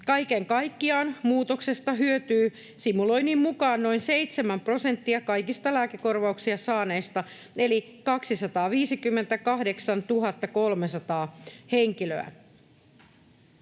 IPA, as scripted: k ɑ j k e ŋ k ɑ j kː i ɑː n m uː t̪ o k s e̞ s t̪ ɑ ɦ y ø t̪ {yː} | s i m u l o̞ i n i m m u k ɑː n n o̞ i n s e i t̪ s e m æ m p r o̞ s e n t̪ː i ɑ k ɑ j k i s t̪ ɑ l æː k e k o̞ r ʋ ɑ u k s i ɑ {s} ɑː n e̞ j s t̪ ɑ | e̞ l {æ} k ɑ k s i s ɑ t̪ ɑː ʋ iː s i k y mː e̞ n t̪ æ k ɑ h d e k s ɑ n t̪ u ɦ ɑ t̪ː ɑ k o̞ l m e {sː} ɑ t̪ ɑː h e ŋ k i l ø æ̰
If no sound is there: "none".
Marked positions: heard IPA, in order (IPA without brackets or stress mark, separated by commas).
yː, s, i, s